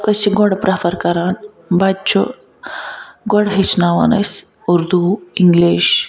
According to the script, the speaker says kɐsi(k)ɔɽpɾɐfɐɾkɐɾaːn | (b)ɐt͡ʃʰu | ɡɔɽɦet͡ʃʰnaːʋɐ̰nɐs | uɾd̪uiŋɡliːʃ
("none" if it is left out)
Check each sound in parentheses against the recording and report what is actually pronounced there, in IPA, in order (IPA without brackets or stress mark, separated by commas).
ɡ, b